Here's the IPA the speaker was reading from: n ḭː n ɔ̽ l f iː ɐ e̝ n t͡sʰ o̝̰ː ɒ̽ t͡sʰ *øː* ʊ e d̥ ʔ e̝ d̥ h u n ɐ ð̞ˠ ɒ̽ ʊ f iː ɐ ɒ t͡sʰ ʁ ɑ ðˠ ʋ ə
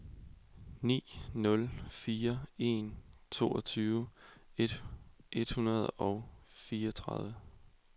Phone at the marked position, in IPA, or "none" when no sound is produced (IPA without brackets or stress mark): yː